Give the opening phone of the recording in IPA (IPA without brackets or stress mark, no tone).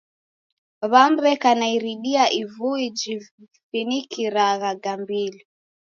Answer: β